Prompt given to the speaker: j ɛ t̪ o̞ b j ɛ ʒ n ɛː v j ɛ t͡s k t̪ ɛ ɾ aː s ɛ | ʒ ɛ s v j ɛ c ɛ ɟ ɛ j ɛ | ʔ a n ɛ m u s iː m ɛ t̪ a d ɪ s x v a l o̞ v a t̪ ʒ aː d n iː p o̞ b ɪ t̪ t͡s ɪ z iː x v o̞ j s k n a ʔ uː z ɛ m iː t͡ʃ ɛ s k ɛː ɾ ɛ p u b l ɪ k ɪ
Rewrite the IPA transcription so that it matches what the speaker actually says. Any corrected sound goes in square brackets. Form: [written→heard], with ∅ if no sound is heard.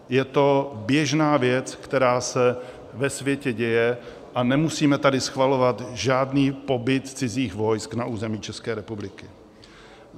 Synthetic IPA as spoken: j ɛ t̪ o̞ b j ɛ ʒ n [ɛː→aː] v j ɛ t͡s k t̪ ɛ ɾ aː s ɛ | [ʒ→v] ɛ s v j ɛ c ɛ ɟ ɛ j ɛ | ʔ a n ɛ m u s iː m ɛ t̪ a d ɪ s x v a l o̞ v a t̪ ʒ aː d n iː p o̞ b ɪ t̪ t͡s ɪ z iː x v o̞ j s k n a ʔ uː z ɛ m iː t͡ʃ ɛ s k ɛː ɾ ɛ p u b l ɪ k ɪ